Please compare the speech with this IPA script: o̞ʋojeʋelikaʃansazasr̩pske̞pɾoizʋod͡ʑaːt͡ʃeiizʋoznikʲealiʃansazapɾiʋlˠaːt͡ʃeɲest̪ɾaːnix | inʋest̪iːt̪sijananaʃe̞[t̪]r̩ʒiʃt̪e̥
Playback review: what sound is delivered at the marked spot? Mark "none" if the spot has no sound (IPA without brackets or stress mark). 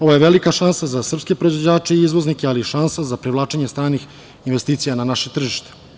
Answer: t̪